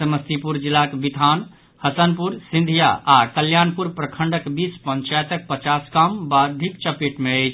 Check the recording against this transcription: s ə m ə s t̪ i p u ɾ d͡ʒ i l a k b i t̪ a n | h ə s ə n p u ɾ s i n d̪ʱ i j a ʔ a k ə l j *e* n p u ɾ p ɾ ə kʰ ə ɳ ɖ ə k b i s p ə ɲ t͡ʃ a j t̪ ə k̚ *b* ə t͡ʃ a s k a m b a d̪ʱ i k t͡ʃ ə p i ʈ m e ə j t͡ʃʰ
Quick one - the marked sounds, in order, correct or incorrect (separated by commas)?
incorrect, incorrect